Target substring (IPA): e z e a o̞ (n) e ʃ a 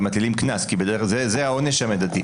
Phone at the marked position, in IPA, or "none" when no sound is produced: n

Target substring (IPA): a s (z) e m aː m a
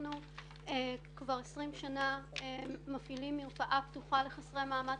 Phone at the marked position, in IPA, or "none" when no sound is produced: ʁ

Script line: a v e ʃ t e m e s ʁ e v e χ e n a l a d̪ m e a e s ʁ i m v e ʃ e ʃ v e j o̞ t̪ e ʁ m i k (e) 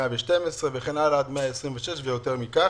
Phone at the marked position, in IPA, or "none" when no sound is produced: a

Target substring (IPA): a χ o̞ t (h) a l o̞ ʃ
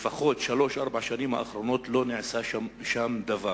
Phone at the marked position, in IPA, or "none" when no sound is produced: ʃ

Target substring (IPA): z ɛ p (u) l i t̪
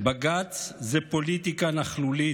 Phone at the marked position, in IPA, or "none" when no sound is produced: o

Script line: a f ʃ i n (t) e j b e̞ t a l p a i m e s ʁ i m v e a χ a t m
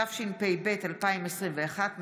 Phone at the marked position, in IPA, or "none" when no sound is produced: p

